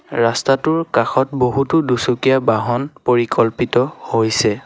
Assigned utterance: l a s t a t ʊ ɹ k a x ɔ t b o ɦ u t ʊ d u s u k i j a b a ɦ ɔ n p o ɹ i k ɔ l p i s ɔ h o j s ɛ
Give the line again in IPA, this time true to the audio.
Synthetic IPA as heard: ɹ a s t a t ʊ ɹ k a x ɔ t b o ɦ u t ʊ d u s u k i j a b a ɦ ɔ n p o ɹ i k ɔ l p i t ɔ h o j s ɛ